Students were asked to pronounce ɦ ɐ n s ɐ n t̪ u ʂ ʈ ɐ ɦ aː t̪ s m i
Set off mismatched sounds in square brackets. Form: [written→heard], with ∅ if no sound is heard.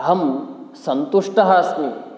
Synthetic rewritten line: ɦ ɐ [n→m] s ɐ n t̪ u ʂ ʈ ɐ ɦ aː [t̪→∅] s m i

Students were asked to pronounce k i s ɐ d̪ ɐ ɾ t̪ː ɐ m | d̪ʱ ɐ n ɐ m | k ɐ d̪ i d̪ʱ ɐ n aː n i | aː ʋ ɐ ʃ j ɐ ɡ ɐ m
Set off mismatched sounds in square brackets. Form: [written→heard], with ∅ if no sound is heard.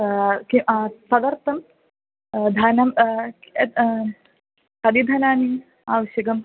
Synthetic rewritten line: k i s ɐ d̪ ɐ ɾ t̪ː ɐ m | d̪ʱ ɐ n ɐ m | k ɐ d̪ i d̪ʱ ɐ n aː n i | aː ʋ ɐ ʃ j ɐ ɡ ɐ m

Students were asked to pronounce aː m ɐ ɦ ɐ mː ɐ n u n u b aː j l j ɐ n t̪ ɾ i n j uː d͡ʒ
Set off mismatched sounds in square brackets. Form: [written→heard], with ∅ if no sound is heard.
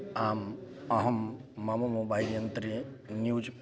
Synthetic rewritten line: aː m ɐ ɦ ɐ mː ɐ [n→m] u [n→m] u b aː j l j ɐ n t̪ ɾ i n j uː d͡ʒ

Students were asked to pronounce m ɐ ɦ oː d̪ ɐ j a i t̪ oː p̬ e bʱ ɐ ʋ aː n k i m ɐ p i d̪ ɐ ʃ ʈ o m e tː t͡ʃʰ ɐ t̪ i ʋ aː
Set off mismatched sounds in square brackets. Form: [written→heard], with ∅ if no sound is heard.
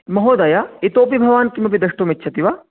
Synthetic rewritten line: m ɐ ɦ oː d̪ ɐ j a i t̪ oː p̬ [e→i] bʱ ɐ ʋ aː n k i m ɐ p i d̪ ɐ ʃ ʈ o m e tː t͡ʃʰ ɐ t̪ i ʋ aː

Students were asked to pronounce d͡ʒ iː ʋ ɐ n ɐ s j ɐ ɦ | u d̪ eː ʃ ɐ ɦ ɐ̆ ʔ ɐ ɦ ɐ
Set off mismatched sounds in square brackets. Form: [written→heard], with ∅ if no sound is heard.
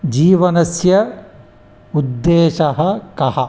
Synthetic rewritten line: d͡ʒ iː ʋ ɐ n ɐ s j ɐ [ɦ→∅] | u [d̪→d̪ː] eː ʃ ɐ ɦ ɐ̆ [ʔ→k] ɐ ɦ ɐ

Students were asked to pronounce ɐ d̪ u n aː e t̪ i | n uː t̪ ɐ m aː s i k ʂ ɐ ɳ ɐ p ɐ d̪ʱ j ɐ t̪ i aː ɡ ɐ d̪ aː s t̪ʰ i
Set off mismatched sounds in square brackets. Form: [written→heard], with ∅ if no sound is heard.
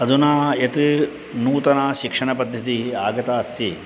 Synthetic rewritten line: ɐ d̪ u n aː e t̪ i | n uː t̪ ɐ [m→n] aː [s→ʃ] i k ʂ ɐ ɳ ɐ p ɐ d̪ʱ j ɐ t̪ i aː ɡ ɐ [d̪→t̪] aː s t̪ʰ i

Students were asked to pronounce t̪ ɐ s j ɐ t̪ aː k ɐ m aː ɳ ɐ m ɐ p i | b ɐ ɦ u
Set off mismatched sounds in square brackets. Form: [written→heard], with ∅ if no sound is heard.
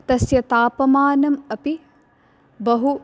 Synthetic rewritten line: t̪ ɐ s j ɐ t̪ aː [k→p] ɐ m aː [ɳ→n] ɐ m ɐ p i | b ɐ ɦ u

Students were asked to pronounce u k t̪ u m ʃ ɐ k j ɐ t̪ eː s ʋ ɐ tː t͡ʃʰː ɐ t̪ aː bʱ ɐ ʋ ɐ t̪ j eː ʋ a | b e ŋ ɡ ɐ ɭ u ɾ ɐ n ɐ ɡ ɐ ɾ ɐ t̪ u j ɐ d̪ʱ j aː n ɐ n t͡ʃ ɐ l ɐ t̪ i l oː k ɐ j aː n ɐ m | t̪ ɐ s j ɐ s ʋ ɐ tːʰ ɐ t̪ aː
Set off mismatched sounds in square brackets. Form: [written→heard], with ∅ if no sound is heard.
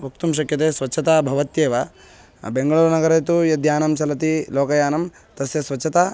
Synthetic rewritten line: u k t̪ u m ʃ ɐ k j ɐ t̪ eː s ʋ ɐ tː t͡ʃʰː ɐ t̪ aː bʱ ɐ ʋ ɐ t̪ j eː ʋ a | b e ŋ ɡ ɐ ɭ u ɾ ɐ n ɐ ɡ ɐ ɾ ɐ t̪ u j ɐ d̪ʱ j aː n ɐ [n→m] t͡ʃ ɐ l ɐ t̪ i l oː k ɐ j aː n ɐ m | t̪ ɐ s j ɐ s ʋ ɐ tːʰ ɐ t̪ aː

